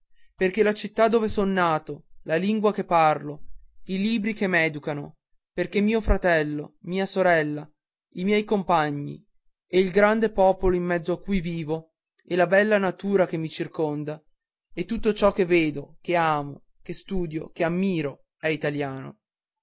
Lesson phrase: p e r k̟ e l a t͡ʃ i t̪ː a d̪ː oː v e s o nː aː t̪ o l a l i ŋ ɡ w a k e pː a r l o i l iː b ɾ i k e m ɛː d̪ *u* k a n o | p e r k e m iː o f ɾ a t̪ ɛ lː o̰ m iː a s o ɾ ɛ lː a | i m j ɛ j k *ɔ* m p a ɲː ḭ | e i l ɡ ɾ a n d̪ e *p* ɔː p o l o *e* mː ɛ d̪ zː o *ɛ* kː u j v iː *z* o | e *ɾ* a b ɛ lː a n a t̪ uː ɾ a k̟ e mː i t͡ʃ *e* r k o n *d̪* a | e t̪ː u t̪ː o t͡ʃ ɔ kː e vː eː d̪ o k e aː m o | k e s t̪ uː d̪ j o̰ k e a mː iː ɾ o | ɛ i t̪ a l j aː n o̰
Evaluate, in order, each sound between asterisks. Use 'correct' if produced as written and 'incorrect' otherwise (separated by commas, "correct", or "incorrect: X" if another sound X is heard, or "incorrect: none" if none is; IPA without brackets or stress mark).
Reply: correct, incorrect: o, correct, incorrect: i, incorrect: a, incorrect: v, incorrect: l, incorrect: i, correct